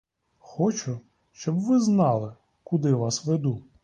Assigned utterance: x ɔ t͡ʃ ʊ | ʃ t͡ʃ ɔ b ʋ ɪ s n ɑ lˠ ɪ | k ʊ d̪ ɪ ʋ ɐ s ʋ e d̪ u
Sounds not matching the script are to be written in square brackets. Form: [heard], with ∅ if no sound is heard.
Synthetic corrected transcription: x ɔ t͡ʃ ʊ | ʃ t͡ʃ ɔ b ʋ ɪ [z] n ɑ lˠ ɪ | k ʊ d̪ ɪ ʋ [ɑ] s ʋ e d̪ u